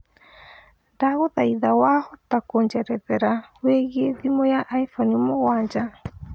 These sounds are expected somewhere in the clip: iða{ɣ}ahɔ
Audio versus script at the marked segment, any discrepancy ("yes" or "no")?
yes